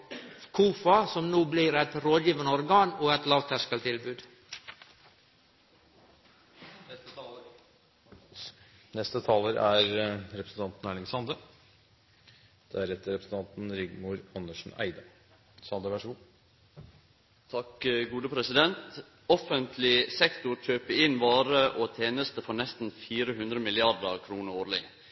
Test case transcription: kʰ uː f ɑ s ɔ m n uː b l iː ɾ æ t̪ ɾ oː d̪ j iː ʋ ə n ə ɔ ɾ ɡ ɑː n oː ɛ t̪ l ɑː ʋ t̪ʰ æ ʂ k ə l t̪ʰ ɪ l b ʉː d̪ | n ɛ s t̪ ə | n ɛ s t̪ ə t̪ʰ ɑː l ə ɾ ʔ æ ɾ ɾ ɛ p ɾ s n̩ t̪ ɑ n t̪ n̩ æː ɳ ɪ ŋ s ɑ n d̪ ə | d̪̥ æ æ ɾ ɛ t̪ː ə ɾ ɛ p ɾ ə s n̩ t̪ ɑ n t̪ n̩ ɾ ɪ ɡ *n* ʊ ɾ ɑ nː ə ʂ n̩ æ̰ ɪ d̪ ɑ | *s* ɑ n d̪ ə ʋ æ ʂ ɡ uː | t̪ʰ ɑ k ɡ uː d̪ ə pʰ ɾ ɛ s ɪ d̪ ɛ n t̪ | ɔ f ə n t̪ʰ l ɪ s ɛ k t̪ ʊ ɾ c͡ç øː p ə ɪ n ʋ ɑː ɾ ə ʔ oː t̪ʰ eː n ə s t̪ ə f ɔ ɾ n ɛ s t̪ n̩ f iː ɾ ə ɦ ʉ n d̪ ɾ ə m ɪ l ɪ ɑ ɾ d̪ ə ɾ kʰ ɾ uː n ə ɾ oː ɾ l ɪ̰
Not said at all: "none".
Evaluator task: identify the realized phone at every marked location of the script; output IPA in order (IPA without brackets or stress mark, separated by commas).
m, s